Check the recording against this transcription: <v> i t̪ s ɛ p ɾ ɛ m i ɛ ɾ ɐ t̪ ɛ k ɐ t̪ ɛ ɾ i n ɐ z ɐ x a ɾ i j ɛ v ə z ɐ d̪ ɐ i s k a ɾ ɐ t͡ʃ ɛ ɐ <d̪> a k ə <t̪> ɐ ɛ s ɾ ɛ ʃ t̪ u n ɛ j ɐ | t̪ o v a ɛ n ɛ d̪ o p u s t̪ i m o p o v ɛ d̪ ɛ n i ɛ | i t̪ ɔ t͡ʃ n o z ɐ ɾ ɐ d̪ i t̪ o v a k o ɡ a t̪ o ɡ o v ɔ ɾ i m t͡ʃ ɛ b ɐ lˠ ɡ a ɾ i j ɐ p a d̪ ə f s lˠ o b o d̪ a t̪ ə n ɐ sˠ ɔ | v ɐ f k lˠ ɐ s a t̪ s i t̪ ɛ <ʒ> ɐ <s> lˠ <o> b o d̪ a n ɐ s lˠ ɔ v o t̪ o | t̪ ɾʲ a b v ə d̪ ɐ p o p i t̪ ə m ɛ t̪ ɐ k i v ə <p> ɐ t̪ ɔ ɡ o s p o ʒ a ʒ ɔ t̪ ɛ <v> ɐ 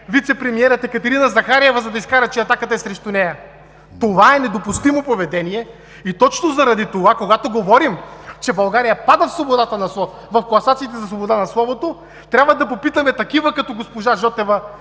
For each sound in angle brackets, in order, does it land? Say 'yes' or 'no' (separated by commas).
yes, no, yes, no, yes, yes, no, yes